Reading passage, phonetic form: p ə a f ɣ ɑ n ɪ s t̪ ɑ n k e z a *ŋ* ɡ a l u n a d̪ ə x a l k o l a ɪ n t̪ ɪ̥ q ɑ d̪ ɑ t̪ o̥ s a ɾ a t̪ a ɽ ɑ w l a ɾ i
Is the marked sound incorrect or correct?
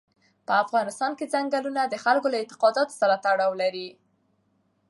correct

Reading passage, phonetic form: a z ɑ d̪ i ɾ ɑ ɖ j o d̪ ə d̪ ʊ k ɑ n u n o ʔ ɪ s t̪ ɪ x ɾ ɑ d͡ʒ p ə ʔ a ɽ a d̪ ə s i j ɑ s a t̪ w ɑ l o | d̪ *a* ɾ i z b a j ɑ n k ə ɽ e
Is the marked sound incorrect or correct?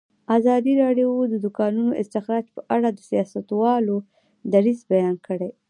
correct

